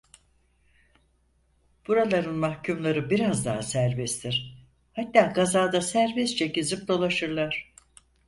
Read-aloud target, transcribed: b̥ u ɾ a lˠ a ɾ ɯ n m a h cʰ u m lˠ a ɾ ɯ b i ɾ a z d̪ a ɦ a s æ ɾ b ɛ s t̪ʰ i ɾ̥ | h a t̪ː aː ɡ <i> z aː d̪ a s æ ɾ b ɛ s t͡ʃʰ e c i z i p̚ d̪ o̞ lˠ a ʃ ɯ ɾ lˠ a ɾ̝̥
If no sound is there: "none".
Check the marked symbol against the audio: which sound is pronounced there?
a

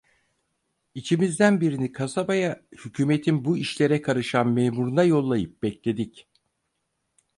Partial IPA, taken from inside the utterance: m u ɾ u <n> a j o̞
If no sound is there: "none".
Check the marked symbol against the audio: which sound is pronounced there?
n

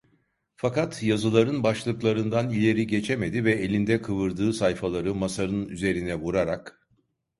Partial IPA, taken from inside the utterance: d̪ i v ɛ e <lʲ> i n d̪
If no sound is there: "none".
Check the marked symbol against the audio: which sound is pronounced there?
lʲ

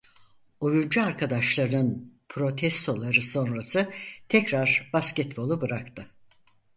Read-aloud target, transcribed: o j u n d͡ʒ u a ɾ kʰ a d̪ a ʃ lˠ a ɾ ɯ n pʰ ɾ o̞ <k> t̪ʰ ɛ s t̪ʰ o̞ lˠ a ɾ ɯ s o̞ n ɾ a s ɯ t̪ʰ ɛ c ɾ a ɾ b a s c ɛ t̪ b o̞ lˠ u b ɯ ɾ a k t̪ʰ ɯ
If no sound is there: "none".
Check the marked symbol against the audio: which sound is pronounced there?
none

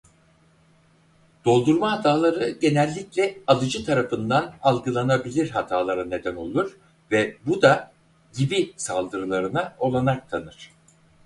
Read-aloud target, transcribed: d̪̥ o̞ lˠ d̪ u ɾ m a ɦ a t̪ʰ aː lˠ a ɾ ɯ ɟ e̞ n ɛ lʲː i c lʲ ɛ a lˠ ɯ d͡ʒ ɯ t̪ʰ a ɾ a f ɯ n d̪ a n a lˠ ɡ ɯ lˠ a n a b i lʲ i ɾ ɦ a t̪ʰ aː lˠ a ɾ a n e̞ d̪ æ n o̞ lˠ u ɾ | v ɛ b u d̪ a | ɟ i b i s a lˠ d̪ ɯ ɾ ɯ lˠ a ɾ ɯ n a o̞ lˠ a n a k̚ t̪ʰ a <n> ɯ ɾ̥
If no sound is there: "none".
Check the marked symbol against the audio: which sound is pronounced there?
n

